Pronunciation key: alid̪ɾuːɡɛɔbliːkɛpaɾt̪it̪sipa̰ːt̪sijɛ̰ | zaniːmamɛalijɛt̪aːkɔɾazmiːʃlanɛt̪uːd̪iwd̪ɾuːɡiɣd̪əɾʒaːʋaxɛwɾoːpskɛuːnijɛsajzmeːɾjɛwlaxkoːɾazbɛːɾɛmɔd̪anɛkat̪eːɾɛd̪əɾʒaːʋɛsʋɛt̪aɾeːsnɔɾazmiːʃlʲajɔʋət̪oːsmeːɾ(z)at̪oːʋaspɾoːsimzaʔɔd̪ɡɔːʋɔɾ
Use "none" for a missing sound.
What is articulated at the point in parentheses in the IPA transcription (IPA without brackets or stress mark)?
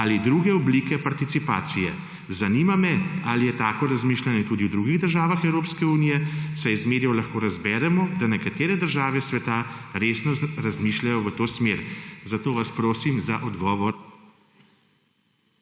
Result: z